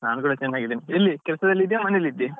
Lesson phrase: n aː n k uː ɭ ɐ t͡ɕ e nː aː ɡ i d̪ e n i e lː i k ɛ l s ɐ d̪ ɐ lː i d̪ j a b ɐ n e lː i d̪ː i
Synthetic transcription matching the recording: n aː n k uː ɽ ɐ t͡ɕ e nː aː ɡ i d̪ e n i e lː i k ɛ l s ɐ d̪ ɐ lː i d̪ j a m ɐ n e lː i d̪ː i